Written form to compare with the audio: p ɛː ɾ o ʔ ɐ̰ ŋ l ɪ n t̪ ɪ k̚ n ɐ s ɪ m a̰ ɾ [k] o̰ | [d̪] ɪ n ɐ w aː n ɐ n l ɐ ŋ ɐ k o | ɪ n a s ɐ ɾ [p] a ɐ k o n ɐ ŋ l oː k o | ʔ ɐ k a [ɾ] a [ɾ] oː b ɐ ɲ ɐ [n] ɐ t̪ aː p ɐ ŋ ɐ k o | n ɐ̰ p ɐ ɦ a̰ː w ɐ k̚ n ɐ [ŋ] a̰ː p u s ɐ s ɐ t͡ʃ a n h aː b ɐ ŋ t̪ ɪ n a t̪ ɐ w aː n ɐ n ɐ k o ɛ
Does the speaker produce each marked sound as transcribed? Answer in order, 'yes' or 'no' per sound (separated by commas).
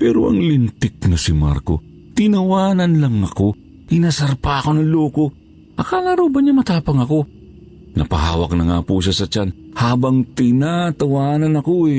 yes, no, yes, no, yes, no, yes